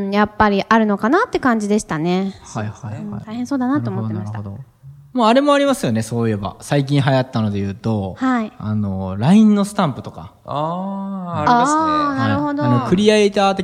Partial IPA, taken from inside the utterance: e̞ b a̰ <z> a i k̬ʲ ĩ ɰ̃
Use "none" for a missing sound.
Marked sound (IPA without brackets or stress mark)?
s